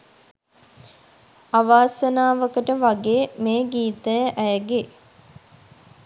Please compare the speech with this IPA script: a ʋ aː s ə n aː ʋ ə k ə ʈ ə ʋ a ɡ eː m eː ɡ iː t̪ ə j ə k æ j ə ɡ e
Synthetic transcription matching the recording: a ʋ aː s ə n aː ʋ ə k ə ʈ ə ʋ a ɡ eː m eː ɡ iː t̪ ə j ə ʔ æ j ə ɡ e